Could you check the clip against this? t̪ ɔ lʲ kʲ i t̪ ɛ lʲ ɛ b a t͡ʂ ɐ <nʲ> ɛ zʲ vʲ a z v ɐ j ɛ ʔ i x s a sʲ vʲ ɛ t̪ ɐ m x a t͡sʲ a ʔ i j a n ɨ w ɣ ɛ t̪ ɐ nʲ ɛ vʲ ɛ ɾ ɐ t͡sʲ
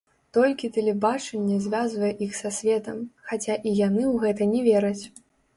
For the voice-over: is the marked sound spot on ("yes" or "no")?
no